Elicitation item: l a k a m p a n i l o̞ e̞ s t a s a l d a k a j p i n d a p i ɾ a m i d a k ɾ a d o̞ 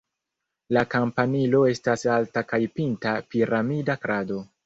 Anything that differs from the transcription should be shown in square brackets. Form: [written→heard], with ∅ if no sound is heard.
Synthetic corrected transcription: l a k a m p a n i l o̞ e̞ s t a s a l [d→t] a k a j p i n [d→t] a p i ɾ a m i d a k ɾ a d o̞

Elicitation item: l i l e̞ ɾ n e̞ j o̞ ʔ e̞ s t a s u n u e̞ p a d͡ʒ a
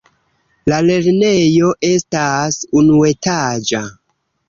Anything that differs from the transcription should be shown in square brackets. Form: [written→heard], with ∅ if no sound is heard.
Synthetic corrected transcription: l [i→a] l e̞ ɾ n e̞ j o̞ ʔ e̞ s t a s u n u e̞ [p→t] a d͡ʒ a

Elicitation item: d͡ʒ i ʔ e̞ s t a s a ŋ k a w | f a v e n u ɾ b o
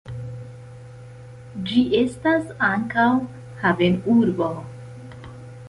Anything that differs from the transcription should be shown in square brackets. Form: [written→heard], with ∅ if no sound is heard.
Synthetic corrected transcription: d͡ʒ i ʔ e̞ s t a s a ŋ k a w | [f→h] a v e n u ɾ b o

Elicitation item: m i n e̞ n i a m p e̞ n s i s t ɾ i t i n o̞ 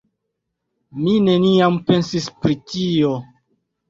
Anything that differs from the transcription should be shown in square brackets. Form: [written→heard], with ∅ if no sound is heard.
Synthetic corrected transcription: m i n e̞ n i a m p e̞ n s i s [t→p] ɾ i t i [n→∅] o̞

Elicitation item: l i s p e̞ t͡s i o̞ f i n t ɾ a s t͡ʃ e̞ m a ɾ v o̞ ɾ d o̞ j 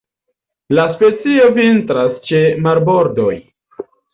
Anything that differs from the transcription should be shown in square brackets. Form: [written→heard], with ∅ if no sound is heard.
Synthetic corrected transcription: l [i→a] s p e̞ t͡s i o̞ [f→v] i n t ɾ a s t͡ʃ e̞ m a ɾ [v→b] o̞ ɾ d o̞ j

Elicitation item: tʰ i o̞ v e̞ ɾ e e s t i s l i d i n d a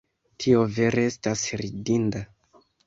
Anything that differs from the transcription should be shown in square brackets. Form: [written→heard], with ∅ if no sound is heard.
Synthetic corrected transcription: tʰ i o̞ v e̞ ɾ e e s t [i→a] s [l→ɾ] i d i n d a

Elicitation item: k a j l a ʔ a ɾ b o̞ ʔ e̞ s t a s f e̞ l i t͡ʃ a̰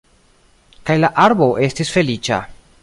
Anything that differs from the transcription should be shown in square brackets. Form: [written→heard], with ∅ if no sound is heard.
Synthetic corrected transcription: k a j l a ʔ a ɾ b o̞ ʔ e̞ s t [a→i] s f e̞ l i t͡ʃ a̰

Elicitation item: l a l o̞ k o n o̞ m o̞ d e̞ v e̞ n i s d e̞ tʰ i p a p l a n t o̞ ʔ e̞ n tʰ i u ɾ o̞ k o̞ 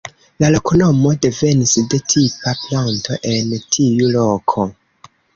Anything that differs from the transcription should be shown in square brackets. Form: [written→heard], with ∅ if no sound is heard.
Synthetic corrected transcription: l a l o̞ k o n o̞ m o̞ d e̞ v e̞ n i s d e̞ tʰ i p a p l a n t o̞ ʔ e̞ n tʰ i u [ɾ→l] o̞ [k→kʰ] o̞

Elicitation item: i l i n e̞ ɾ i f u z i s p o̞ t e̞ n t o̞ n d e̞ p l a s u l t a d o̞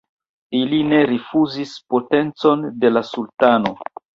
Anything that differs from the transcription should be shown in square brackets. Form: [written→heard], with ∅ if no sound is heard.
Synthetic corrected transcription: i l i n e̞ ɾ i f u z i s p o̞ t e̞ n [t→t͡s] o̞ n d e̞ [p→∅] l a s u l t a [d→n] o̞

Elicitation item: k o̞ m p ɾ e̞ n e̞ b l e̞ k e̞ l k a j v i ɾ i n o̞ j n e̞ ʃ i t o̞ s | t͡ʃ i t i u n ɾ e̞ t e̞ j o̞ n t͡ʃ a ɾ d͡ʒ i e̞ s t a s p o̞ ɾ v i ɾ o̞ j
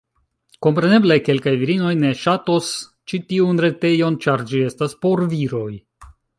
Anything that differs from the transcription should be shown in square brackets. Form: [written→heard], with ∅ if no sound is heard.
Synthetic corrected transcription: k o̞ m p ɾ e̞ n e̞ b l e̞ k e̞ l k a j v i ɾ i n o̞ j n e̞ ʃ [i→a] t o̞ s | t͡ʃ i t i u n ɾ e̞ t e̞ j o̞ n t͡ʃ a ɾ d͡ʒ i e̞ s t a s p o̞ ɾ v i ɾ o̞ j

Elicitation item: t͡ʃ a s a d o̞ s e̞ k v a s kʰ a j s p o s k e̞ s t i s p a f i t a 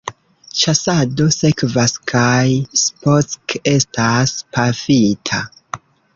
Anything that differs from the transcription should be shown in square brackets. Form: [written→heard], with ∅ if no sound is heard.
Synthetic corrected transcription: t͡ʃ a s a d o̞ s e̞ k v a s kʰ a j s p o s k e̞ s t [i→a] s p a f i [t→tʰ] a

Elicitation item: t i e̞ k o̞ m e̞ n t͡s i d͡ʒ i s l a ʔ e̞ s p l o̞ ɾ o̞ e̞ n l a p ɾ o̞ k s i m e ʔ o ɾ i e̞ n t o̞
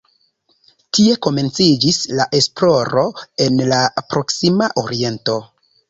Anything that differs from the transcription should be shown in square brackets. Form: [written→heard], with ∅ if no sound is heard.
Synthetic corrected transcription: t i e̞ k o̞ m e̞ n t͡s i d͡ʒ i s l a ʔ e̞ s p l o̞ ɾ o̞ e̞ n l a p ɾ o̞ k s i m [e→a] ʔ o ɾ i e̞ n t o̞

